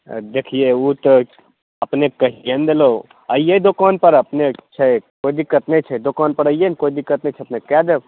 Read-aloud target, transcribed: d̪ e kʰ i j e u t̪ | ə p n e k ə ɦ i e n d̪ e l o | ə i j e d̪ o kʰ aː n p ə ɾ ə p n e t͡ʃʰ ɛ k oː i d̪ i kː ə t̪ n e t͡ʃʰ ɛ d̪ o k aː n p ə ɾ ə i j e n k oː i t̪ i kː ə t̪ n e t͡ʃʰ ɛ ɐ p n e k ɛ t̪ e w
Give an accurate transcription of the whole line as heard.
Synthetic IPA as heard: d̪ e kʰ i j e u t̪ | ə p n e k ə ɦ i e n d̪ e l o | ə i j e d̪ o k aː n p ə ɾ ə p n e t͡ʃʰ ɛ k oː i d̪ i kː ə t̪ n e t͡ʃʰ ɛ d̪ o k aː n p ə ɾ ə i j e n k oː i d̪ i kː ə t̪ n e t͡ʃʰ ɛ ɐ p n e k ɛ d̪ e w